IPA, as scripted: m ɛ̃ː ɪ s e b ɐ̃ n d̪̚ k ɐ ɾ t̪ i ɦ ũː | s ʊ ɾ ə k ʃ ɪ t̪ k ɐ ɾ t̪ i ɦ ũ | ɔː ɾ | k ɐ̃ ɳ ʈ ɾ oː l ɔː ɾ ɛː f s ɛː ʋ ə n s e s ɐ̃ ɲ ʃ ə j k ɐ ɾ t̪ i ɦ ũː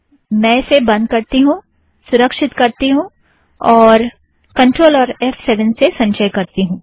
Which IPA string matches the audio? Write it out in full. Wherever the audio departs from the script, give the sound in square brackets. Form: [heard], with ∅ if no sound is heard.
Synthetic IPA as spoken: m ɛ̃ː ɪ s e b ɐ̃ n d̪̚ k ɐ ɾ t̪ i ɦ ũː | s ʊ ɾ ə k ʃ ɪ t̪ k ɐ ɾ t̪ i ɦ ũ | ɔː ɾ | k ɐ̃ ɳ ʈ ɾ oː l ɔː ɾ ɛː f s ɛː ʋ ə n s e s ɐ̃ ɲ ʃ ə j k ɐ ɾ t̪ i ɦ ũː